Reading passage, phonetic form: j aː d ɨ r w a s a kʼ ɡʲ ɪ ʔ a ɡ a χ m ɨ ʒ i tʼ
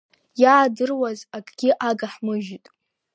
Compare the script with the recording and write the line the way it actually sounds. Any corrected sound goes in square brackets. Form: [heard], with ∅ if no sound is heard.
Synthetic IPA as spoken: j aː d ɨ r w a [z] a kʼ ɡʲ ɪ ʔ a ɡ a [ħ] m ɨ ʒ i tʼ